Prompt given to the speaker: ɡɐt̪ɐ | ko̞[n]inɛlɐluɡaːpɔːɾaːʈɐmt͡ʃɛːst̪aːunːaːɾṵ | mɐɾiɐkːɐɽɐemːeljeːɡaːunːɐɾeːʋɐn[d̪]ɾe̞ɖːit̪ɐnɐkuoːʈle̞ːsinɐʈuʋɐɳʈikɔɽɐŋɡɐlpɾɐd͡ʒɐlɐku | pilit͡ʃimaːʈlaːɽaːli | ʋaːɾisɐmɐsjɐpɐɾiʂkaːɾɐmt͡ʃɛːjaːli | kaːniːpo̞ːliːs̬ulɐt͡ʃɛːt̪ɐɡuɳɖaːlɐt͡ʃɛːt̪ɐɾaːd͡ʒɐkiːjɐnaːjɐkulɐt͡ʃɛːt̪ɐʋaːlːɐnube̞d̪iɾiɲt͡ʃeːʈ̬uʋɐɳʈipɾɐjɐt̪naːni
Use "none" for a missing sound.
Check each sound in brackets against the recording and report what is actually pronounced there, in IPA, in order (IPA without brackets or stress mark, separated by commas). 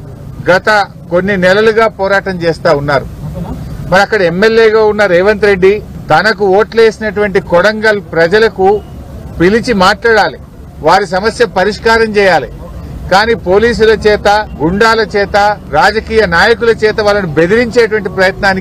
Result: nː, t̪